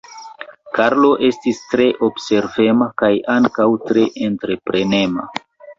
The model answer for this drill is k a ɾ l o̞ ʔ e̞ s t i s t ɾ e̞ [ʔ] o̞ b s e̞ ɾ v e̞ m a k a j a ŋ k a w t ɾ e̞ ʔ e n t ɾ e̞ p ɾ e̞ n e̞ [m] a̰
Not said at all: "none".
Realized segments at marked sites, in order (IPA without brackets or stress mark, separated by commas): ʔ, m